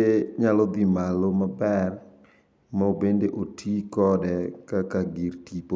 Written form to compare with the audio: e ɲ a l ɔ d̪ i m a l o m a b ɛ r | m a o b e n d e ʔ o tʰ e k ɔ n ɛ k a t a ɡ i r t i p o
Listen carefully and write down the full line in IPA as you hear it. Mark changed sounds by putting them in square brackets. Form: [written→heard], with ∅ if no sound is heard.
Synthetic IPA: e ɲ a l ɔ d̪ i m a l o m a b ɛ r | m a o b e n d e ʔ o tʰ [e→i] k ɔ [n→d] ɛ k a [t→k] a ɡ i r t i p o